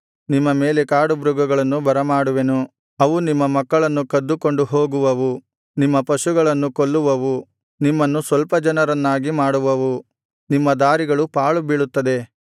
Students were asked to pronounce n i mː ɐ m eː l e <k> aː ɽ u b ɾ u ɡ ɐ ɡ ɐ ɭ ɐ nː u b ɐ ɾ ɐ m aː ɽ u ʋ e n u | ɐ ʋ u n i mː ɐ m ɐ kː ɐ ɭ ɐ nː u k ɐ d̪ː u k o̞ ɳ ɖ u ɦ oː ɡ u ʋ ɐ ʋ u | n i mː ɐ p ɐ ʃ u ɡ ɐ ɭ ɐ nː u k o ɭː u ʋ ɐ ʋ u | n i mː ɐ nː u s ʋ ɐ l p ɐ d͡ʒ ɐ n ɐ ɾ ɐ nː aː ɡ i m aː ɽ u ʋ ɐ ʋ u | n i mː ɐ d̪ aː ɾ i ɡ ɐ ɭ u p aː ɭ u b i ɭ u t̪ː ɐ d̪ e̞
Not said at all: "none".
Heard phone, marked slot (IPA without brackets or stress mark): k